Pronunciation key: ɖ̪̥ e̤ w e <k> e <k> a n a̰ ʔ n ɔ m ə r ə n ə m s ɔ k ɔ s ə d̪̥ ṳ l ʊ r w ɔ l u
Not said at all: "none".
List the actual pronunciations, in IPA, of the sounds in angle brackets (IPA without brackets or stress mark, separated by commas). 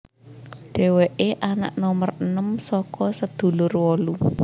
ʔ, ʔ